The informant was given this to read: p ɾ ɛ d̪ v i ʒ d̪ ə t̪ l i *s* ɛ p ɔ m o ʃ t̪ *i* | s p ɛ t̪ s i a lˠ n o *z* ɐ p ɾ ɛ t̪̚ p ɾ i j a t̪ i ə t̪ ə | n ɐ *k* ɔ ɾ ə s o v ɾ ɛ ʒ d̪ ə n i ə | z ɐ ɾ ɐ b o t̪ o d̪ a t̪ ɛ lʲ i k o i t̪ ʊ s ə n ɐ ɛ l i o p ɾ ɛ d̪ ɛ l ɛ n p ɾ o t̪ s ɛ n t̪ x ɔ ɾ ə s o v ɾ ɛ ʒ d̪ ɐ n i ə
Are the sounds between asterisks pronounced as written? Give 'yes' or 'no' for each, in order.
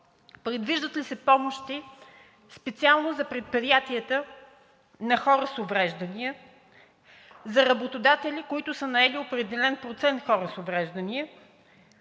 yes, yes, yes, no

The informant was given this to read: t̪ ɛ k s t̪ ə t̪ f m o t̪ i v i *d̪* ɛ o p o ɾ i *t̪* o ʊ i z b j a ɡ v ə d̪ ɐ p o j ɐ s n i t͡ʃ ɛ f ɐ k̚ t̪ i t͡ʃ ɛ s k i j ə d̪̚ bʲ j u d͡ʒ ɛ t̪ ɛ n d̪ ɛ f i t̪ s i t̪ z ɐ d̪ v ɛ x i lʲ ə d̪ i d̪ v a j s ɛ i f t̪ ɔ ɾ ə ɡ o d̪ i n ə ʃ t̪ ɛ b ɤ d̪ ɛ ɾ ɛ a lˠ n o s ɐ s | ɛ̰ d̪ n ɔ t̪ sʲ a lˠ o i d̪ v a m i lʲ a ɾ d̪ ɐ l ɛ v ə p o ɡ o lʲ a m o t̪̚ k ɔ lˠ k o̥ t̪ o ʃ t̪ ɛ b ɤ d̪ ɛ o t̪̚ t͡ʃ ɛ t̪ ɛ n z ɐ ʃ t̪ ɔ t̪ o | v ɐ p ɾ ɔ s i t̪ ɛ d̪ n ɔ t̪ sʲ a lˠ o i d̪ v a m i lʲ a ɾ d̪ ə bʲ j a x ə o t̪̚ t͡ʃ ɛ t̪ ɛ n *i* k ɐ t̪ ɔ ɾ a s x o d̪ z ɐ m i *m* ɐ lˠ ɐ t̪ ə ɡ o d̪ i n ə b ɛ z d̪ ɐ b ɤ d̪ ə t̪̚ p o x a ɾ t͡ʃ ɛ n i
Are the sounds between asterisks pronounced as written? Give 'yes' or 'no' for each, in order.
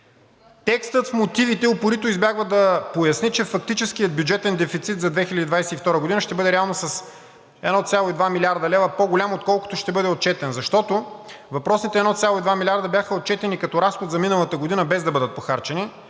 no, yes, yes, no

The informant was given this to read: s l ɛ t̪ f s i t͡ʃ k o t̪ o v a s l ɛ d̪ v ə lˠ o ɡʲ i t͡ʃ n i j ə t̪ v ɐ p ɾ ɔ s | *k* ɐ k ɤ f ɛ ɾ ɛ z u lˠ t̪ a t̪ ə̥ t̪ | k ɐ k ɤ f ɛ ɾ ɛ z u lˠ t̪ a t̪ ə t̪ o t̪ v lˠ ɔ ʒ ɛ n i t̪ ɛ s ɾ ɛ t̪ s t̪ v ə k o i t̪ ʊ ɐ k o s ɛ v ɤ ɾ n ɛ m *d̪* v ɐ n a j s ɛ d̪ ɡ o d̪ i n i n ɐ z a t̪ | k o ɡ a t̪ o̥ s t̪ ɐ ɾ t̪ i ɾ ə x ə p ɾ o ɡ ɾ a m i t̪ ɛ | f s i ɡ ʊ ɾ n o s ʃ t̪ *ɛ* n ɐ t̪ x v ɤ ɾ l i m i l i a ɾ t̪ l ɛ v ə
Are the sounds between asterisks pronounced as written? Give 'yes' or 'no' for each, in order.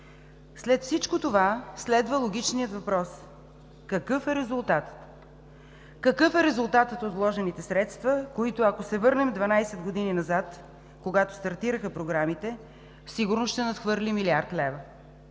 yes, yes, yes

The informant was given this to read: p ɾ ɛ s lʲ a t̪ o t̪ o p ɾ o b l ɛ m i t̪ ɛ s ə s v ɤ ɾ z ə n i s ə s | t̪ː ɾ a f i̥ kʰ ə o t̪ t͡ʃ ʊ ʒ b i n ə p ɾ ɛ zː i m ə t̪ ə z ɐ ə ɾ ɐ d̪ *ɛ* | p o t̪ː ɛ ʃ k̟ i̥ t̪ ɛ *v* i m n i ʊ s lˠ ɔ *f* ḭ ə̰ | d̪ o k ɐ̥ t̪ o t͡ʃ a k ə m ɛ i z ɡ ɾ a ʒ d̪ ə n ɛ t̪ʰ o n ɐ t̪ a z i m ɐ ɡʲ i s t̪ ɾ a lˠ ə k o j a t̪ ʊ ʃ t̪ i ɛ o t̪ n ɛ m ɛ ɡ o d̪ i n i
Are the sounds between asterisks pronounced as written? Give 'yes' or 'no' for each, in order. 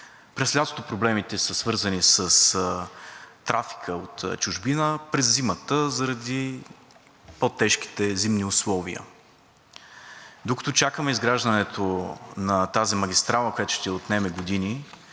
no, no, no

